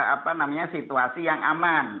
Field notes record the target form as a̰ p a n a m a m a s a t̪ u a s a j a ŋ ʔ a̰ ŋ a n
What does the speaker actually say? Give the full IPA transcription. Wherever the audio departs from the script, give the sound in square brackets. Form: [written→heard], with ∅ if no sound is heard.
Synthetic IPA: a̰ p a n a m a [m→ɲ] a s [a→i] t̪ u a s [a→i] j a ŋ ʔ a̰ [ŋ→m] a n